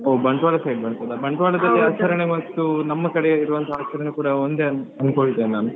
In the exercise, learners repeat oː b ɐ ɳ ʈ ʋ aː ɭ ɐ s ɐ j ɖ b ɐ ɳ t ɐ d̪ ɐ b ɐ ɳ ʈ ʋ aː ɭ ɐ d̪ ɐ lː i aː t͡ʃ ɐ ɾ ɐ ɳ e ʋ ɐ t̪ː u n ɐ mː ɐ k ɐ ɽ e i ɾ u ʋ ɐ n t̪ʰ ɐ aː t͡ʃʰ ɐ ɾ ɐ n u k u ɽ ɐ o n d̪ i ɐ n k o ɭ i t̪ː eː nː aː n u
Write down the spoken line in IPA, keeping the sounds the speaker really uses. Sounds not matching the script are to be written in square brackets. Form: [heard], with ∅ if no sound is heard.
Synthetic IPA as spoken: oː b ɐ ɳ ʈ ʋ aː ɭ ɐ s ɐ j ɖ b ɐ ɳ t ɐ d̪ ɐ b ɐ ɳ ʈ ʋ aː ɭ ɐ d̪ ɐ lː i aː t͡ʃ ɐ ɾ ɐ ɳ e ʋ ɐ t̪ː u n ɐ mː ɐ k ɐ ɽ e i ɾ u ʋ ɐ n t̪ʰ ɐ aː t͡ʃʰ ɐ ɾ ɐ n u k [uː] ɽ ɐ o n d̪ [e] ɐ n k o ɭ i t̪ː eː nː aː n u